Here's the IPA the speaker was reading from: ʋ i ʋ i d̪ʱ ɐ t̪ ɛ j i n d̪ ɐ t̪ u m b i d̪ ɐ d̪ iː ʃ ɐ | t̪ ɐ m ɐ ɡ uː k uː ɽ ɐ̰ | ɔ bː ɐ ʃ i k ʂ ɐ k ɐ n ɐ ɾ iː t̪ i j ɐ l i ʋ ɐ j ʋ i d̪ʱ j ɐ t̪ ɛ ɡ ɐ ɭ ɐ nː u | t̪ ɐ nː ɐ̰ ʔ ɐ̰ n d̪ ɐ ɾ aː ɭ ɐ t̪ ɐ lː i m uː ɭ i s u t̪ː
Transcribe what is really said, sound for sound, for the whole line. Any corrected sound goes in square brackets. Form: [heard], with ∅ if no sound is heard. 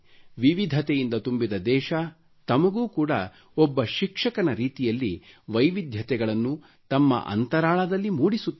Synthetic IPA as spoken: ʋ i ʋ i d̪ʱ ɐ t̪ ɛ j i n d̪ ɐ t̪ u m b i d̪ ɐ d̪ [ɛː] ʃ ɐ | t̪ ɐ m ɐ ɡ uː k uː ɽ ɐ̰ | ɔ bː ɐ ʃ i k ʂ ɐ k ɐ n ɐ ɾ iː t̪ i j ɐ [lː] i ʋ ɐ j ʋ i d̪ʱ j ɐ t̪ ɛ ɡ ɐ ɭ ɐ nː u | t̪ ɐ [mː] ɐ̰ ʔ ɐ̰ n [t̪] ɐ ɾ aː ɭ ɐ [d̪] ɐ lː i m uː [ɽ] i s u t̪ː